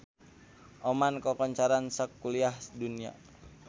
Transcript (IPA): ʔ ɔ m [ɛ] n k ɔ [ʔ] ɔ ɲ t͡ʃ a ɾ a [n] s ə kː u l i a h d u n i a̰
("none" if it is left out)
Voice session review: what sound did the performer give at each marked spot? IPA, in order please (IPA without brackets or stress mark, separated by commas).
a, k, n